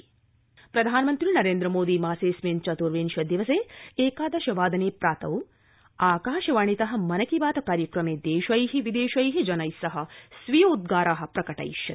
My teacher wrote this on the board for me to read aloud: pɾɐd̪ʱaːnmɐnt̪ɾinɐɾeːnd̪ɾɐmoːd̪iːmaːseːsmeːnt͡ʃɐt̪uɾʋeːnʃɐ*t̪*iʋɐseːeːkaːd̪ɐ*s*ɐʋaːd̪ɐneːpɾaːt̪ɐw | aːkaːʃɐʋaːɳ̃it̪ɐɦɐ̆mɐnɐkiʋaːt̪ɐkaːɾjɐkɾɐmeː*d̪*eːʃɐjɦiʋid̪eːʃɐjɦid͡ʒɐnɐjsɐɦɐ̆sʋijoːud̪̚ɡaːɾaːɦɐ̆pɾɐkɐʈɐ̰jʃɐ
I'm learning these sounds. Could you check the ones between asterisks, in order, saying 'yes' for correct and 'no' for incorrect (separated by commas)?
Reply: no, no, yes